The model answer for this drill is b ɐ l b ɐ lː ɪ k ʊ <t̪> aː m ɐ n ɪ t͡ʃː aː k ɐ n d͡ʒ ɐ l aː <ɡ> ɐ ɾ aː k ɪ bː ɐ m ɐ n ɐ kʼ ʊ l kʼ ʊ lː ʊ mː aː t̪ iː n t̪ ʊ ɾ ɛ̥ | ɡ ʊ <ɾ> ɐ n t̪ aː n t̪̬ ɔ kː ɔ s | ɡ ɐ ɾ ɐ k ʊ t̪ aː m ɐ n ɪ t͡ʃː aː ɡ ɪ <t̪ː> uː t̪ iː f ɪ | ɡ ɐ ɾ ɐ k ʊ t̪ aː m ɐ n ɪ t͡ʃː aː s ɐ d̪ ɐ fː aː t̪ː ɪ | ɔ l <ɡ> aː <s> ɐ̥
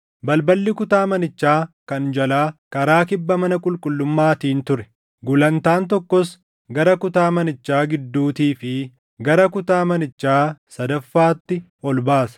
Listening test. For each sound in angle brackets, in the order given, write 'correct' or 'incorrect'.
correct, incorrect: k, incorrect: l, incorrect: d̪ː, incorrect: b, correct

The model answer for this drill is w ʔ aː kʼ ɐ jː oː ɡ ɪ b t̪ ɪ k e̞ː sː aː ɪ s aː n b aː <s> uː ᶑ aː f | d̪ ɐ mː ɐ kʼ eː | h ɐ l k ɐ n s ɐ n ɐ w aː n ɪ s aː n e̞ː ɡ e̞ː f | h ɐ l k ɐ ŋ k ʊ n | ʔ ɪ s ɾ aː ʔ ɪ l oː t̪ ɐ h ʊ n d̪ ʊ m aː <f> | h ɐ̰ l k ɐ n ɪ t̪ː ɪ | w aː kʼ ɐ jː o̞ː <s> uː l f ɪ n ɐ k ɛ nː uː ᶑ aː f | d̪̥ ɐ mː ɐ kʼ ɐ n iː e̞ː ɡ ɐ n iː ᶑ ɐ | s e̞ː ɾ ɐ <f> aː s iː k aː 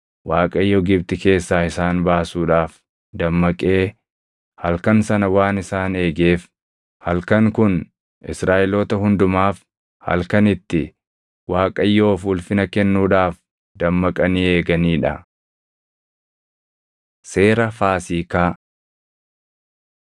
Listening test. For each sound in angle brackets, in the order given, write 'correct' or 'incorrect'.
correct, correct, incorrect: f, correct

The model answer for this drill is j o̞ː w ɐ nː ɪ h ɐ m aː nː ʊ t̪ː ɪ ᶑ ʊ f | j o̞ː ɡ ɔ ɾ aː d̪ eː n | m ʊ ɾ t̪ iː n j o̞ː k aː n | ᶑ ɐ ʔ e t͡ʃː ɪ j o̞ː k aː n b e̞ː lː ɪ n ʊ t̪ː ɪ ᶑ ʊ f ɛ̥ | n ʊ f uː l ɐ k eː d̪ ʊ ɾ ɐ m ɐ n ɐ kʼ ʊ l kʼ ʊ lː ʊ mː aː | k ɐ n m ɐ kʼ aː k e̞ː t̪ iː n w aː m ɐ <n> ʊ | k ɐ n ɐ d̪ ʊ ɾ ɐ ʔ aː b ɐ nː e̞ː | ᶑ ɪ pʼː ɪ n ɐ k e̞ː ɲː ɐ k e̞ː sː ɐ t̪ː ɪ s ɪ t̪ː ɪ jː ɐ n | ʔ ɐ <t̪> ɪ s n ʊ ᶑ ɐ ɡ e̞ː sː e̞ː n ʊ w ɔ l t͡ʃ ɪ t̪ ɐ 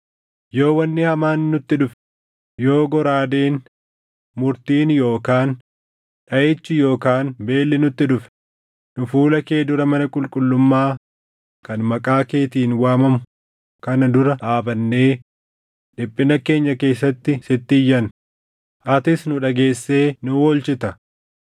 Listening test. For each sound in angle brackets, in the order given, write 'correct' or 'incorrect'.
incorrect: m, correct

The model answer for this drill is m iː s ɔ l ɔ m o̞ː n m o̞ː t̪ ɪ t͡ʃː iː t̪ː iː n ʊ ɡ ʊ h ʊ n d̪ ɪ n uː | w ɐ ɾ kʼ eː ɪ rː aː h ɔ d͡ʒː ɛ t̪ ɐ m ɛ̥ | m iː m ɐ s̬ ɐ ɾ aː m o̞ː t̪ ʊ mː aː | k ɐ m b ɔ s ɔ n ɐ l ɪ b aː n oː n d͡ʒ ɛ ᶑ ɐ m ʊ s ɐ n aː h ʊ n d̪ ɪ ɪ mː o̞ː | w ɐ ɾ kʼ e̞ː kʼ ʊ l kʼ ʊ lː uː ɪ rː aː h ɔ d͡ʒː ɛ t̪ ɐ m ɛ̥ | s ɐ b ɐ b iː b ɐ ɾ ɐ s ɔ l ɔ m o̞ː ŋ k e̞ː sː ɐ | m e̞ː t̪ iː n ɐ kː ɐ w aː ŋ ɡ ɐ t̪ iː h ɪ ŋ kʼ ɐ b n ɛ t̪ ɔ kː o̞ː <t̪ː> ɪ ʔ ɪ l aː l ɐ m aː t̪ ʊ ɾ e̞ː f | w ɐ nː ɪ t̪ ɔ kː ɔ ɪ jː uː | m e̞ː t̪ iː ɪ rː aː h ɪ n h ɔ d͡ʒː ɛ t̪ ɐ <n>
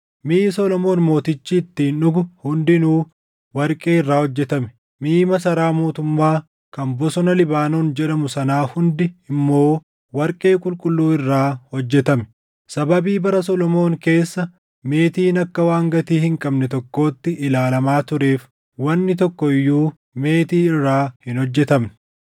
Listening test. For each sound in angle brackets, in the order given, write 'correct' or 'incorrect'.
correct, incorrect: m

